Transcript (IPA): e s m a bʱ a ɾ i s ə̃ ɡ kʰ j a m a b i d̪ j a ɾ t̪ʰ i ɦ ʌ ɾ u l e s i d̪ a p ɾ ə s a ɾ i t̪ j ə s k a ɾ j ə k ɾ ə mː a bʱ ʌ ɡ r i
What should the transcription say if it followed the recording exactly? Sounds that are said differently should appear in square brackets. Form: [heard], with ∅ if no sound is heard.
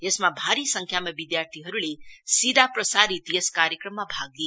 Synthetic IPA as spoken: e s m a bʱ a ɾ i s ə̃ [ŋ] kʰ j a m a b i d̪ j a ɾ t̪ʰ i ɦ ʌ ɾ u l e s i d̪ a p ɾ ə s a ɾ i t̪ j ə s k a ɾ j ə k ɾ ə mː a bʱ [a] ɡ [l] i